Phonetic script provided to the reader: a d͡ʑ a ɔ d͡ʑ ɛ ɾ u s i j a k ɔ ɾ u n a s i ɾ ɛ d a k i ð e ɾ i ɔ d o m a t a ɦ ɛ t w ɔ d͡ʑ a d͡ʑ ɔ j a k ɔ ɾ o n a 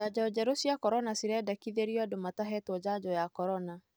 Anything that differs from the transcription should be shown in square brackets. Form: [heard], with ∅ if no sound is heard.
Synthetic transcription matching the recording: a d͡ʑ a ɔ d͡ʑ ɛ ɾ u s i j a k ɔ ɾ [ɔ] n a s i ɾ ɛ d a k i ð e ɾ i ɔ d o m a t a ɦ ɛ t w ɔ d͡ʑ a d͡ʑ ɔ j a k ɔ ɾ [ɔ] n a